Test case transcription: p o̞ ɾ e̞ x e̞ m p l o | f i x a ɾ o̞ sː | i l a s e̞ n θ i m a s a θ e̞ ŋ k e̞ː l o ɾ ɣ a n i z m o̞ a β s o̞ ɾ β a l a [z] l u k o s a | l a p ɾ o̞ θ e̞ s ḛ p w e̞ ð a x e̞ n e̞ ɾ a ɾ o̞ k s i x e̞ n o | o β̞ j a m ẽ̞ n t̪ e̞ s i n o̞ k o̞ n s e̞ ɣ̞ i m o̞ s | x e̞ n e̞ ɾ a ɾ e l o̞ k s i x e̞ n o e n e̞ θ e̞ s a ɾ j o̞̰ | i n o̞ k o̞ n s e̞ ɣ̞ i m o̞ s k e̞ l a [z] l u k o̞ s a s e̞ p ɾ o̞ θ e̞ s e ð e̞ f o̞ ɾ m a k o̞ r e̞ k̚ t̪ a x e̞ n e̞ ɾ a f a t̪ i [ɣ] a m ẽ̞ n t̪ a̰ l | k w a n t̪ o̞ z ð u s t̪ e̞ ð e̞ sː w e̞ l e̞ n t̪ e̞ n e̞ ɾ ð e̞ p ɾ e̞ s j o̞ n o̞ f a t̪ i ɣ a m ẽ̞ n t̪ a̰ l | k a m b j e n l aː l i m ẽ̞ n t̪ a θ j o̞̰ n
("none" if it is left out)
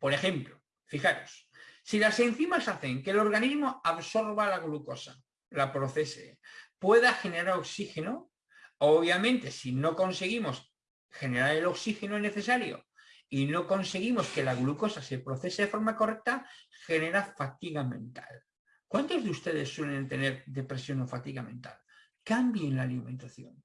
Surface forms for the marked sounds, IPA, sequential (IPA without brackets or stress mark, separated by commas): ɣ, ɣ, ɣ